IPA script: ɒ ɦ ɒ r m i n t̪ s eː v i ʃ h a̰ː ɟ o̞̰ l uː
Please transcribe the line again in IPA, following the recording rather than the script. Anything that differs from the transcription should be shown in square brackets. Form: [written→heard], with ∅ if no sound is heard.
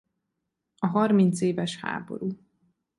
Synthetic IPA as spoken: ɒ ɦ ɒ r m i n t̪ s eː v [i→ɛ] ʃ h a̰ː [ɟ→b] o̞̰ [l→ɾ] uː